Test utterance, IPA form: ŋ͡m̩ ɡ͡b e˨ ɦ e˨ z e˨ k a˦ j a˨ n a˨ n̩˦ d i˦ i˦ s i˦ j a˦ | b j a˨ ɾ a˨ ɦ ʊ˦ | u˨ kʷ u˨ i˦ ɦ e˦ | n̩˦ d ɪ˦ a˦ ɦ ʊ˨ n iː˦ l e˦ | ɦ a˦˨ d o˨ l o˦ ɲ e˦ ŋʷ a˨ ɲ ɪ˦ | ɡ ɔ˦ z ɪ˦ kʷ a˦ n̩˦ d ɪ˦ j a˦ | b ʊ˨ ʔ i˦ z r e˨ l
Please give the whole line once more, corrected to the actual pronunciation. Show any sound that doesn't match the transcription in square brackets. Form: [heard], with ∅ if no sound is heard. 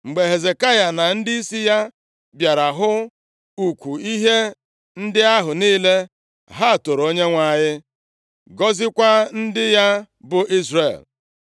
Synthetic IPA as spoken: ŋ͡m̩ ɡ͡b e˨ ɦ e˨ z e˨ k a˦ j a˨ n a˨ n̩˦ d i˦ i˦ s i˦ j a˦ | b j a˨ ɾ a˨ ɦ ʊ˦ | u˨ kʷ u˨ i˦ ɦ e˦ | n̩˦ d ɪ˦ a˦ ɦ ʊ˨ n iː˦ l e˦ | ɦ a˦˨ [t] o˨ [ɾ] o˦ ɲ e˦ ŋʷ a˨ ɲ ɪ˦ | ɡ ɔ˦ z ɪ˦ kʷ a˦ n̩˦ d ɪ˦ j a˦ | b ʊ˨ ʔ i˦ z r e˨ l